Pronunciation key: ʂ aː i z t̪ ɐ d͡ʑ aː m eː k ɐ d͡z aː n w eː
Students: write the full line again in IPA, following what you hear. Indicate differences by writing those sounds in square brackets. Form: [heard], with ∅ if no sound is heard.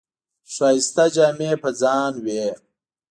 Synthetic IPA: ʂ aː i [s] t̪ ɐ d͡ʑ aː m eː [p] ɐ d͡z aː n w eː